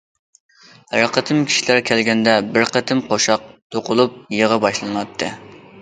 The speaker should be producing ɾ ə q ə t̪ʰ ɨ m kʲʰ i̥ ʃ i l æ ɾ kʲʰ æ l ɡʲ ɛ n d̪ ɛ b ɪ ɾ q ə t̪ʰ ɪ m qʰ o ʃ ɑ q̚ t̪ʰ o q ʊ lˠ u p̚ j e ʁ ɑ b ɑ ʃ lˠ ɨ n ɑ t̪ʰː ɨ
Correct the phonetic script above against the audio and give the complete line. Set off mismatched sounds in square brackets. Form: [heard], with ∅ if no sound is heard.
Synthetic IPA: ɾ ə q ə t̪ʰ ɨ m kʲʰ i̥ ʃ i l æ ɾ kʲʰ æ l ɡʲ ɛ n d̪ ɛ b ɪ ɾ q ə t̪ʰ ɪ m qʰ o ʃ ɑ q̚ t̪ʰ o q ʊ lˠ u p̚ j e ʁ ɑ b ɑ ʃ lˠ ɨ n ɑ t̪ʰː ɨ